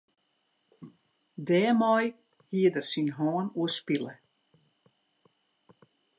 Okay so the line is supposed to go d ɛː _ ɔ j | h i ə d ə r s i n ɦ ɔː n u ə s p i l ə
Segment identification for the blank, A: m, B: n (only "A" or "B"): A